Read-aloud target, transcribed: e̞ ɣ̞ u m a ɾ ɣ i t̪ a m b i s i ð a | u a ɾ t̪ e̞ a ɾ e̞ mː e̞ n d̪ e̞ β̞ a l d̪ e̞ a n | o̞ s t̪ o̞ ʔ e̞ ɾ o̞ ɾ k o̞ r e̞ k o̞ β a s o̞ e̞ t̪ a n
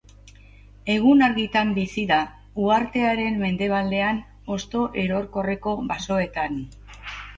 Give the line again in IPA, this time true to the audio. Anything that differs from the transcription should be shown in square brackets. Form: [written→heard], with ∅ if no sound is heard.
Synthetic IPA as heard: e̞ ɣ̞ u [m→n] a ɾ ɣ i t̪ a m b i s i ð a | u a ɾ t̪ e̞ a ɾ e̞ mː e̞ n d̪ e̞ β̞ a l d̪ e̞ a n | o̞ s t̪ o̞ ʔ e̞ ɾ o̞ ɾ k o̞ r e̞ k o̞ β a s o̞ e̞ t̪ a n